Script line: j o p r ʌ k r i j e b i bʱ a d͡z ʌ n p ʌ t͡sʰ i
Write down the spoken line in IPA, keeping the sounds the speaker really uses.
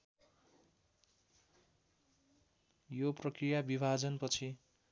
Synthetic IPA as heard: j o p r ʌ k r i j a b i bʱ a d͡z ʌ n p ʌ t͡sʰ i